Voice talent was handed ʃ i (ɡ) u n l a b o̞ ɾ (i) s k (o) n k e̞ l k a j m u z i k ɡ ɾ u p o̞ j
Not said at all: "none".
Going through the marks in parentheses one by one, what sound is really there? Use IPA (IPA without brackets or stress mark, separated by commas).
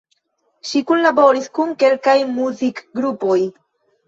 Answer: k, i, u